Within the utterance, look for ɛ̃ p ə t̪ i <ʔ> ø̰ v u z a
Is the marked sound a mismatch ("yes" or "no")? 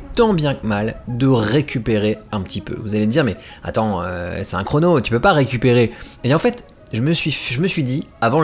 yes